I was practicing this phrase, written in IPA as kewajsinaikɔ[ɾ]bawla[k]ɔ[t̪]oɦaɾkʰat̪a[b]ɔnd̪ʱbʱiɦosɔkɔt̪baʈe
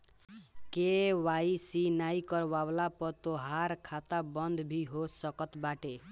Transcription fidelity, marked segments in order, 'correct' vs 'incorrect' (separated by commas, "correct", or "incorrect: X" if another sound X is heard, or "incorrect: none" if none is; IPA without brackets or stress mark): correct, incorrect: p, correct, correct